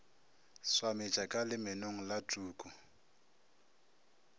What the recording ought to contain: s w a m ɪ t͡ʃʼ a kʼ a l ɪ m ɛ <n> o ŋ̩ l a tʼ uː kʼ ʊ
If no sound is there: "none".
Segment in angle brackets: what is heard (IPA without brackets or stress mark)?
n